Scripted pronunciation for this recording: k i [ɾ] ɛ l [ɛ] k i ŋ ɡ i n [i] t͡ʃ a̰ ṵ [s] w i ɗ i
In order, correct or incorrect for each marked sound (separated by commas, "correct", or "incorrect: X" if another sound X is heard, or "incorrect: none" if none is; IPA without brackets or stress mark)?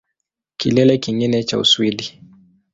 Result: incorrect: l, correct, incorrect: ɛ, correct